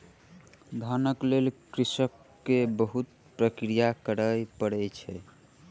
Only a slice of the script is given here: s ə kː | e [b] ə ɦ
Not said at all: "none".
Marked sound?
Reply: b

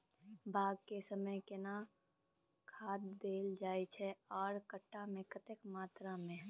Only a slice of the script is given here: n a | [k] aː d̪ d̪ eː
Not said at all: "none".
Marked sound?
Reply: kʰ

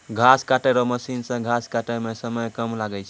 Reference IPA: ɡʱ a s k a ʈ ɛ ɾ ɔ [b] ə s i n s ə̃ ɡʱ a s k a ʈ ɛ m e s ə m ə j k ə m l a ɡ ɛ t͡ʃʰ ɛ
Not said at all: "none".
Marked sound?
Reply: m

